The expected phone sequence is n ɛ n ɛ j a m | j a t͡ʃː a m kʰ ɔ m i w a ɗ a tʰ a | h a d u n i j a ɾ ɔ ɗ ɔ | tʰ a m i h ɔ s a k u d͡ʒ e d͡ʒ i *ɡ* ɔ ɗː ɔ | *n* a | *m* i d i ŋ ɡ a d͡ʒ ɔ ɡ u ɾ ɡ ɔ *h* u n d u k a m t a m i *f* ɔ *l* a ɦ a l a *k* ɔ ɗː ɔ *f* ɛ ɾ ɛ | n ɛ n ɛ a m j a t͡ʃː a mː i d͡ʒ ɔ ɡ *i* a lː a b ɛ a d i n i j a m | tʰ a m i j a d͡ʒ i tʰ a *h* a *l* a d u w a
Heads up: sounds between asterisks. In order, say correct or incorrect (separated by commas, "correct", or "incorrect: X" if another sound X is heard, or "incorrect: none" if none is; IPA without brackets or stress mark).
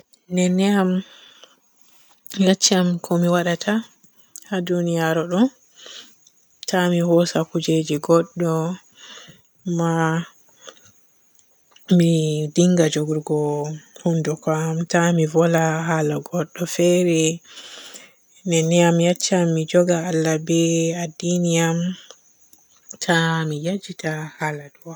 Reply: correct, incorrect: m, correct, correct, incorrect: v, correct, incorrect: ɡ, correct, incorrect: a, correct, correct